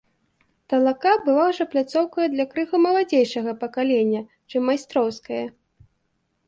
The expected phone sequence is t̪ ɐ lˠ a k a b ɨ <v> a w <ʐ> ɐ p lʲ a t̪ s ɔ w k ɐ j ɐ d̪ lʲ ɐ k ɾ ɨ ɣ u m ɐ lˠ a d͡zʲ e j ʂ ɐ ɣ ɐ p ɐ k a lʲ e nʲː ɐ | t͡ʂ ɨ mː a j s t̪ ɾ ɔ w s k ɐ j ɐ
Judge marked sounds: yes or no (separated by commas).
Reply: yes, yes